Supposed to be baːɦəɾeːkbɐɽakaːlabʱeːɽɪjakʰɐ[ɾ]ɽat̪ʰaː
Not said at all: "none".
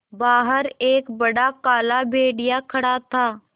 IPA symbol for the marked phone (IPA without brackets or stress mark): none